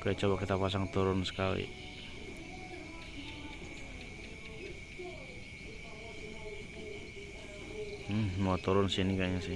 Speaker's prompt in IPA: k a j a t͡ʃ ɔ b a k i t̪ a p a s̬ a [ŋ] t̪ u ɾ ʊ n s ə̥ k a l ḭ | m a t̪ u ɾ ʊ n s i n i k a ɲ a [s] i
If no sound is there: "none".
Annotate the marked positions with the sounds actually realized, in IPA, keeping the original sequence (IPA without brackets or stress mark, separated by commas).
ŋ, s